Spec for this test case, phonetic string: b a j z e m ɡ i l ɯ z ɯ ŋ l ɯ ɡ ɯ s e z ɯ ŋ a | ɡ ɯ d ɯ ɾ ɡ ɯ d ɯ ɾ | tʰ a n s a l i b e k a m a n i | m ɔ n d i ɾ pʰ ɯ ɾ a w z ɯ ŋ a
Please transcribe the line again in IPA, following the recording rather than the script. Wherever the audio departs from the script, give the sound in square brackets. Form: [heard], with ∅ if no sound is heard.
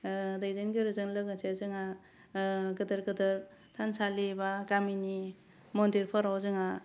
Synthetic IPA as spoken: [d] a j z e [n] ɡ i [ɾ] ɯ z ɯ ŋ l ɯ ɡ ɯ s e z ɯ ŋ a | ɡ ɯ d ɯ ɾ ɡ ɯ d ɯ ɾ | tʰ a n s a l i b [a] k a m [i] n i | m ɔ n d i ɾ pʰ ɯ ɾ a w z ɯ ŋ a

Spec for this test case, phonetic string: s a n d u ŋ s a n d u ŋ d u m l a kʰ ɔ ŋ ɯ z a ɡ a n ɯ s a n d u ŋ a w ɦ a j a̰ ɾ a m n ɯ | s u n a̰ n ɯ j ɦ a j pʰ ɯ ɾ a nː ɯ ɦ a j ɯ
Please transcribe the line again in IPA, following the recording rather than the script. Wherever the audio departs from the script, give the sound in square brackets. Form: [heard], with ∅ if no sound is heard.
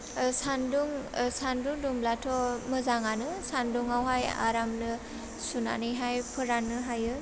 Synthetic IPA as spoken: s a n d u ŋ s a n d u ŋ d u m l a [tʰ] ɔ [m] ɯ z a [ŋ] a n ɯ s a n d u ŋ a w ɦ a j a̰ ɾ a m n ɯ | s u n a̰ n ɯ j ɦ a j pʰ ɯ ɾ a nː ɯ ɦ a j ɯ

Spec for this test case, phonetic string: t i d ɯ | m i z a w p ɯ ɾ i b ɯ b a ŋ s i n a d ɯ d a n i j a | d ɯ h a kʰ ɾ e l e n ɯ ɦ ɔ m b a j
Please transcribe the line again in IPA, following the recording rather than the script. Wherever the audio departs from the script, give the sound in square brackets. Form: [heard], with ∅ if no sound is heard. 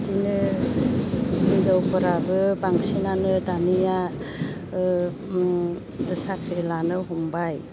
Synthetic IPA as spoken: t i [n] ɯ | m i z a w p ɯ ɾ [a] b ɯ b a ŋ s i n a [n] ɯ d a n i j a | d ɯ [s] a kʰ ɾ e l [a] n ɯ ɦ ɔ m b a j

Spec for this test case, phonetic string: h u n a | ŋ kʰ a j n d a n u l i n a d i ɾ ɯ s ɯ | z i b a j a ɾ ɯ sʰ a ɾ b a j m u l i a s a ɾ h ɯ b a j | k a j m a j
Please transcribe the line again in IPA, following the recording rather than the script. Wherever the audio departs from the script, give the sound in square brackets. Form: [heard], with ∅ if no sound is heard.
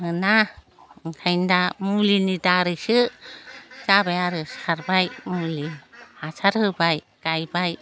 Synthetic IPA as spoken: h [ɯ] n a | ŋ kʰ a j n d a [m] u l i n [i] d [a] ɾ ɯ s ɯ | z [a] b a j a ɾ ɯ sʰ a ɾ b a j m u l i a s a ɾ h ɯ b a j | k a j [b] a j

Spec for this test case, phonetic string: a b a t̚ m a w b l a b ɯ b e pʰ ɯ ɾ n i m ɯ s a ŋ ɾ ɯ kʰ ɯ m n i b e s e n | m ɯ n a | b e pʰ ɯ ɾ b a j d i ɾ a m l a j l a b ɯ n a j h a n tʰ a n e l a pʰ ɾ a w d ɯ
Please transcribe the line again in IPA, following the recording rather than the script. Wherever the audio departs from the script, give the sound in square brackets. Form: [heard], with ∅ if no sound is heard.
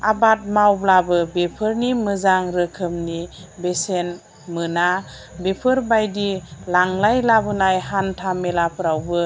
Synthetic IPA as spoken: a b a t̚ m a w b l a b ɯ b e pʰ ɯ ɾ n i m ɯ [z] a ŋ ɾ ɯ kʰ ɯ m n i b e s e n | m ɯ n a | b e pʰ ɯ ɾ b a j d i [l] a [ŋ] l a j l a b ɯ n a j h a n tʰ a [m] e l a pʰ ɾ a w [b] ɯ

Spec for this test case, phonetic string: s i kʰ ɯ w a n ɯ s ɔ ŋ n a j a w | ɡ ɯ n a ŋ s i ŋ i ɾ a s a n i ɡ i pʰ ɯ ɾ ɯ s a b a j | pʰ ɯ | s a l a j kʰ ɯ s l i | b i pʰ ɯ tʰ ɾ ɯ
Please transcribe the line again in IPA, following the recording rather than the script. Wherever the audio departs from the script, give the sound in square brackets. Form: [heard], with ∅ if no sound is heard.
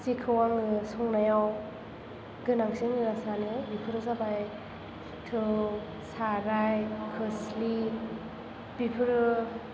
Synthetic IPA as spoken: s i kʰ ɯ w a [ŋ] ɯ s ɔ ŋ n a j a w | ɡ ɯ n a ŋ s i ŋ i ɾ a s a n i [b] i pʰ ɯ ɾ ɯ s a b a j | [tʰ] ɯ | s a [ɾ] a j kʰ ɯ s l i | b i pʰ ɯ [∅] ɾ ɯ

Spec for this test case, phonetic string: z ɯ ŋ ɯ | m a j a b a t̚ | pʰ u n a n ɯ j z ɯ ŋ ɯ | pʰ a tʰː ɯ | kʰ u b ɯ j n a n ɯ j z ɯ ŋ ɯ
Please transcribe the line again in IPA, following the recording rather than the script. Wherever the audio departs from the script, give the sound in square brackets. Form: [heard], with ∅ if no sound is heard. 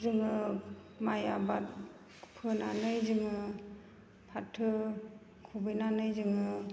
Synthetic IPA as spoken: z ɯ ŋ ɯ | m a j a b a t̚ | pʰ [ɯ] n a n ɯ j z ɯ ŋ ɯ | pʰ a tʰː ɯ | kʰ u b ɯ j n a n ɯ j z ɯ ŋ ɯ

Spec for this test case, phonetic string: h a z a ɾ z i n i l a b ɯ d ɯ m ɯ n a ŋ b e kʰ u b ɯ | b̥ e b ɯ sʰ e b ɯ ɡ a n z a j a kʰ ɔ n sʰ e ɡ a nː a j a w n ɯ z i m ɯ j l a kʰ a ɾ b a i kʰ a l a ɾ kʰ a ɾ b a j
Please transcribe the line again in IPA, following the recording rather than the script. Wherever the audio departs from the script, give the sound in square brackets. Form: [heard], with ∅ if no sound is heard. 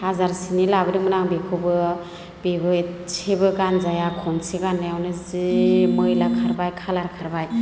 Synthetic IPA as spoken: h a z a ɾ [s] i n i l a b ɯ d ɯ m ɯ n a ŋ b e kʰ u b ɯ | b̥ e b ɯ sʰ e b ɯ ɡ a n z a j a kʰ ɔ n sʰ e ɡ a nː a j a w n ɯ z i m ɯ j l a kʰ a ɾ b a [j] kʰ a l a ɾ kʰ a ɾ b a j

